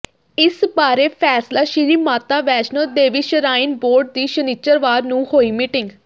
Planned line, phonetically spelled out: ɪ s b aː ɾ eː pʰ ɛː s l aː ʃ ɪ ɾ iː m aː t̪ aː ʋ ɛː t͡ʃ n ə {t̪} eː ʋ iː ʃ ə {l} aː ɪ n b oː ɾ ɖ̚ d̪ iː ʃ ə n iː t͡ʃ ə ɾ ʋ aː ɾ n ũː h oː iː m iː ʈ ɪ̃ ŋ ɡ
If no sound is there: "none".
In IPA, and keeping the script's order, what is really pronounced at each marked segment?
d̪, ɾ

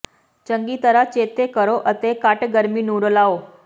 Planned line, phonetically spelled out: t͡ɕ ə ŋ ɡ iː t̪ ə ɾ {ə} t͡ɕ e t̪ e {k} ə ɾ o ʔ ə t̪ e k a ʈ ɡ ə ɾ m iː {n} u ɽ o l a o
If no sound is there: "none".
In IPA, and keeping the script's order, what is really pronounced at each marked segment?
a, k, n

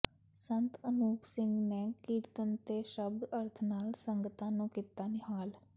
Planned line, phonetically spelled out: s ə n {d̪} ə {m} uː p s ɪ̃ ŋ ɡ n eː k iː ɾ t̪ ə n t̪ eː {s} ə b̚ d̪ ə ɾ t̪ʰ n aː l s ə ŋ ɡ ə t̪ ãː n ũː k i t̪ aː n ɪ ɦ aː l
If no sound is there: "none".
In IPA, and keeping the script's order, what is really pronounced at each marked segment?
t̪, n, ʃ

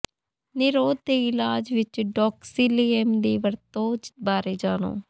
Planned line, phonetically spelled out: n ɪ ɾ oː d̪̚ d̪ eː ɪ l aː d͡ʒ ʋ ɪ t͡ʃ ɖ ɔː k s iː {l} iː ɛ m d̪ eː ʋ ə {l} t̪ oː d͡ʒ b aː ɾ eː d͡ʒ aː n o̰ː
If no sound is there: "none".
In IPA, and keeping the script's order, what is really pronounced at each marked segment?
l, ɾ

